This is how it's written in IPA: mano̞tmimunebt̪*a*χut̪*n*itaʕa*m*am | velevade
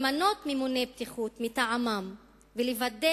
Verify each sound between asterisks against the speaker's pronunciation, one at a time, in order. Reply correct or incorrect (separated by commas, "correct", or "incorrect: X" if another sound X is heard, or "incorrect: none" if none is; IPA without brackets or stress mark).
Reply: incorrect: i, incorrect: m, correct